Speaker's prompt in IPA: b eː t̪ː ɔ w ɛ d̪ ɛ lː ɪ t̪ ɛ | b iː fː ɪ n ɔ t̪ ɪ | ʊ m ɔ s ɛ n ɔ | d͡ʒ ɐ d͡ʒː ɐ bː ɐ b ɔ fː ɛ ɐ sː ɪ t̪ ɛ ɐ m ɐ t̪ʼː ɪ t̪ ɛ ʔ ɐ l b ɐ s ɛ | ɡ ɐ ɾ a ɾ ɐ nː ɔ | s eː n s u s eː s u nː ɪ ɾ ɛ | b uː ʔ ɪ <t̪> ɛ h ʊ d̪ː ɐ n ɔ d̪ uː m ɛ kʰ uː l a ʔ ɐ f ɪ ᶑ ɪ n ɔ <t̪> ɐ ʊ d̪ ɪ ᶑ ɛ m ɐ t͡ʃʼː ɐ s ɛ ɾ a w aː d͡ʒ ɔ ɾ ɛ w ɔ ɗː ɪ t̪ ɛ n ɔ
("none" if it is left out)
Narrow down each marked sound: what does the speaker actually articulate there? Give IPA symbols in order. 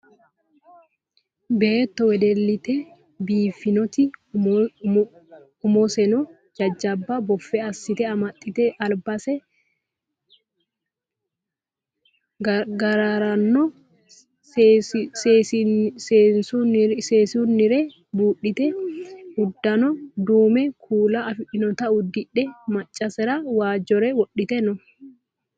t̪, t̪

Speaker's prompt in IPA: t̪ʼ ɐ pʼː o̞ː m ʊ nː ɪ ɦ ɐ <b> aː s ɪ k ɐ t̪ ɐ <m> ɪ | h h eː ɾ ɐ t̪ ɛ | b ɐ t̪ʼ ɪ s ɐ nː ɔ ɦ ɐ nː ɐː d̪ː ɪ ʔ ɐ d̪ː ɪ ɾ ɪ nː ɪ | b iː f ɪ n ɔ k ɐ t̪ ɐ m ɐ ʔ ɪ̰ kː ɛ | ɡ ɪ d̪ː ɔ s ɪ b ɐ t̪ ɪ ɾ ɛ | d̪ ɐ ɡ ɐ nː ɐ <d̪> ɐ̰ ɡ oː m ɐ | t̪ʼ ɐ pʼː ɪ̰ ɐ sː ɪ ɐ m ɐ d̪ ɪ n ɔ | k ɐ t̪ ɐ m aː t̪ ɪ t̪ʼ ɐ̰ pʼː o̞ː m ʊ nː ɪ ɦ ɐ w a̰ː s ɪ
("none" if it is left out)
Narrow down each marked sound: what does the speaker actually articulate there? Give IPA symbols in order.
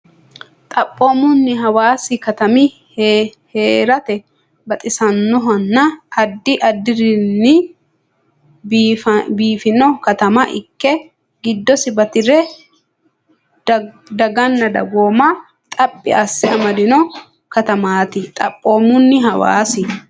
w, m, d̪

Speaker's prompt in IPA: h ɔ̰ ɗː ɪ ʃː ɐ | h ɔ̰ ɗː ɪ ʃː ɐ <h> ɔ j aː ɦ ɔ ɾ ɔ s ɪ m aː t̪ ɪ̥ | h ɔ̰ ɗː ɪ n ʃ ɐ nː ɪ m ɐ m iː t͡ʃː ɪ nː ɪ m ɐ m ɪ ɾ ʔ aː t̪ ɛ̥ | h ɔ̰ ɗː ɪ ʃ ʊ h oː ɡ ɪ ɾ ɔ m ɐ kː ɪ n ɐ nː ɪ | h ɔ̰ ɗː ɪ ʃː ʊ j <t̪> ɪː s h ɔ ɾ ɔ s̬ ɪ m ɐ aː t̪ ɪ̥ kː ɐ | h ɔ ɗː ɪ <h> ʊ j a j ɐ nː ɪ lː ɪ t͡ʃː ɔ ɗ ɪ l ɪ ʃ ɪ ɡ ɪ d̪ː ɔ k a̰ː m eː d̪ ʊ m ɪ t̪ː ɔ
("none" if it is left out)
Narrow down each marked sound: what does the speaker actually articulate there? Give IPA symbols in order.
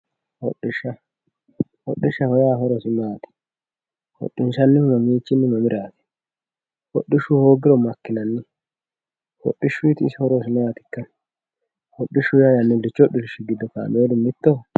h, t̪, ʃ

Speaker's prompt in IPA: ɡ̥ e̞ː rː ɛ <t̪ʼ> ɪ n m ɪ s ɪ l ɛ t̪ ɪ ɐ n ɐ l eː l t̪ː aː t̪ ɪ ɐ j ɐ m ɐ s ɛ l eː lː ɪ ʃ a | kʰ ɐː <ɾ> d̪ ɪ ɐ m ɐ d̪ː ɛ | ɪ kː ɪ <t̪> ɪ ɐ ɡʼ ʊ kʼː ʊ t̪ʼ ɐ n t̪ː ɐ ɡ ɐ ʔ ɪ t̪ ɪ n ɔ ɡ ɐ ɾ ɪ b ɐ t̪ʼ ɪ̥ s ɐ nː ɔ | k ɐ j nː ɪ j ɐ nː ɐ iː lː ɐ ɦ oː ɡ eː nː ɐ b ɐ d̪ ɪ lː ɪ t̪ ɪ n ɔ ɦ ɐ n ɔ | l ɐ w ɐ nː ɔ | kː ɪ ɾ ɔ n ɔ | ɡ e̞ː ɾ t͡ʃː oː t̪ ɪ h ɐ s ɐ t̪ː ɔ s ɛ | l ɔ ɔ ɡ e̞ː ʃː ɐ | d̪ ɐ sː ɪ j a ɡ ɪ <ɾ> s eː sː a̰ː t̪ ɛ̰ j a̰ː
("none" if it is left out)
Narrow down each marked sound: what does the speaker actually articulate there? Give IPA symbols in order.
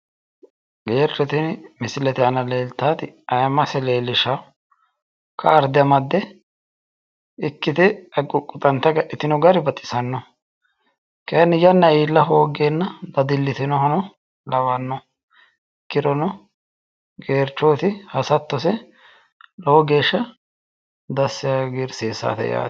t̪, ɾ, t̪, ɾ

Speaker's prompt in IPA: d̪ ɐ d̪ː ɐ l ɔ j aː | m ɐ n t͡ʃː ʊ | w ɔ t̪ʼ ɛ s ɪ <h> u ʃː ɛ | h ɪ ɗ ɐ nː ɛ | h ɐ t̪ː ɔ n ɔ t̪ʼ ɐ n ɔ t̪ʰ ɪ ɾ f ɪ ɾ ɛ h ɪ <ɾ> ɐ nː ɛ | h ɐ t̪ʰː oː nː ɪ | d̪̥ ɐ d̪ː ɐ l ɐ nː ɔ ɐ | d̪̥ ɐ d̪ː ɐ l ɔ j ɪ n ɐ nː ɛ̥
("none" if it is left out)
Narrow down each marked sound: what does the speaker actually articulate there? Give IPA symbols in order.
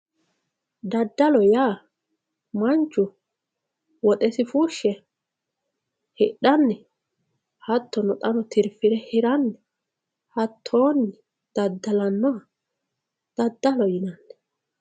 f, ɾ

